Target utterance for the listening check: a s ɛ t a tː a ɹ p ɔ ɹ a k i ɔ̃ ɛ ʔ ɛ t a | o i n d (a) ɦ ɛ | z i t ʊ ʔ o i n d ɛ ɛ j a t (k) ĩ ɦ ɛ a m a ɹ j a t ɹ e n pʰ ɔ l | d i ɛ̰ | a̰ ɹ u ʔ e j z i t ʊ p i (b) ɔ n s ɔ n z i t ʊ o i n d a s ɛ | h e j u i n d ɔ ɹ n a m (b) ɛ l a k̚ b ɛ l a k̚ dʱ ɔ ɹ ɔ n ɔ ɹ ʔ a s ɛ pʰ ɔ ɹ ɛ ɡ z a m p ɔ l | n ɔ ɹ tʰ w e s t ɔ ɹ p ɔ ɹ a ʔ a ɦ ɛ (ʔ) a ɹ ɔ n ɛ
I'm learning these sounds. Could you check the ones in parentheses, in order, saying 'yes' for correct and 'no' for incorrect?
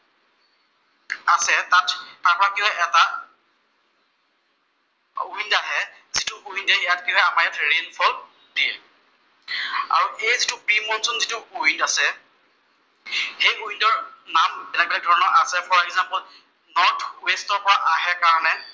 yes, yes, no, yes, no

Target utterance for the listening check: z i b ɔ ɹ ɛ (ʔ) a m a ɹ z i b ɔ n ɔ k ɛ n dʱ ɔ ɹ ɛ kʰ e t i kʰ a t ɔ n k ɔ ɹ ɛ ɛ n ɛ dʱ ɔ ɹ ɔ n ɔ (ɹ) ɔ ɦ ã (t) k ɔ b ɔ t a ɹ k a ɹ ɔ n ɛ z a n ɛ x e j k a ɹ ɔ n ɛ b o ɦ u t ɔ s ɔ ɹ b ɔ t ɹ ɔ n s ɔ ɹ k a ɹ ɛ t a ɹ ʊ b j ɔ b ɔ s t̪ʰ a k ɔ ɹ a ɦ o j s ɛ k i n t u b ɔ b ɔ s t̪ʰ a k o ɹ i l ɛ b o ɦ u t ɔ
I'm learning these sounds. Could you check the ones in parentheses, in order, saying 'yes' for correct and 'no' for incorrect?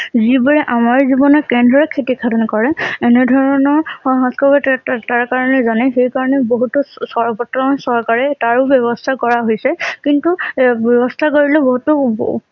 yes, yes, no

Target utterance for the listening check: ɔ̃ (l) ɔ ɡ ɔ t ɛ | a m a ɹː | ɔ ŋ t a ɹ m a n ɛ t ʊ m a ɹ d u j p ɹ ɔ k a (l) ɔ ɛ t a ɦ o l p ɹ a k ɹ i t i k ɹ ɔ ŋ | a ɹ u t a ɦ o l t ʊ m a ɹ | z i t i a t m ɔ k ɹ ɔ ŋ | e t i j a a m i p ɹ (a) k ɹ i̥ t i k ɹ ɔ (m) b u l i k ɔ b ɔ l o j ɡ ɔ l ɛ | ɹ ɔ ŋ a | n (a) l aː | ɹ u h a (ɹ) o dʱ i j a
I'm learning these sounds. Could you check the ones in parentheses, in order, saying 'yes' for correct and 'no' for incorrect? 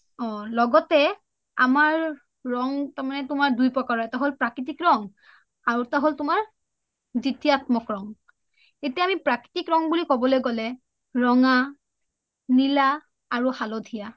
yes, no, yes, no, no, no

